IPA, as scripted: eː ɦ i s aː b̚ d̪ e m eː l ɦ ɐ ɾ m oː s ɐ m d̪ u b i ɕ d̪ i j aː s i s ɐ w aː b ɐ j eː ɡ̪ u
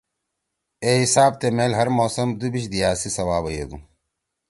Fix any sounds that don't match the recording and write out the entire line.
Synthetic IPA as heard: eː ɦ i s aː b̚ t̪ e m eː l ɦ ɐ ɾ m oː s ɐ m d̪ u b i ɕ d̪ i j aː s i s ɐ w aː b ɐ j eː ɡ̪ u

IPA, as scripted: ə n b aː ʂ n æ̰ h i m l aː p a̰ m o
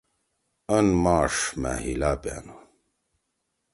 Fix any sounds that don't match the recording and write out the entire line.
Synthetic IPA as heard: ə n m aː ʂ m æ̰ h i l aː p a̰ n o

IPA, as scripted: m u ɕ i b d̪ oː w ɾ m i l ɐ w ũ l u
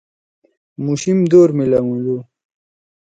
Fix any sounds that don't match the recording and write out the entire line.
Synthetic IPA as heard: m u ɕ i m d̪ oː ɾ m i l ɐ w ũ l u

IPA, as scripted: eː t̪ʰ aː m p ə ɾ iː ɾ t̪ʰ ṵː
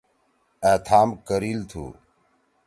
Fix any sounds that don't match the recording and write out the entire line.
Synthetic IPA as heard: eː t̪ʰ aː m k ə ɾ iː l t̪ʰ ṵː

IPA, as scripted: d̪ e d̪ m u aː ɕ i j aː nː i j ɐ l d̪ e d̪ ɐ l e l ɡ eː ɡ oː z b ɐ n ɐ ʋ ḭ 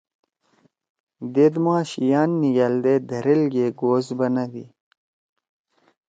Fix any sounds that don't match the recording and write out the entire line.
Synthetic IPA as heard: d̪ e d̪ m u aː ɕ i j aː nː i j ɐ l d̪ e d̪ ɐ ɾ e l ɡ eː ɡ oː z b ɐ n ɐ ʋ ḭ

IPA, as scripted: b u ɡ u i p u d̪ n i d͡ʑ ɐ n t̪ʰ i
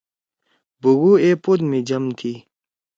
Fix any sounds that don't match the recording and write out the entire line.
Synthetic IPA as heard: b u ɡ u e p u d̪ m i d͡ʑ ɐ m t̪ʰ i

